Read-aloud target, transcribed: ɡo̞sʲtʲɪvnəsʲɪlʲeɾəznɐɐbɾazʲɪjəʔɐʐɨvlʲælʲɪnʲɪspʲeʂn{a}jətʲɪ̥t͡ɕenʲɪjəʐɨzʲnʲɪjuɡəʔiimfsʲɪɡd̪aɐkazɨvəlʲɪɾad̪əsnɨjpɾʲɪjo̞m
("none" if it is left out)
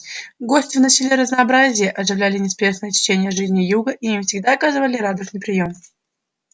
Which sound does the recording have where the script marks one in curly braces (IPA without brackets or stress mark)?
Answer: ə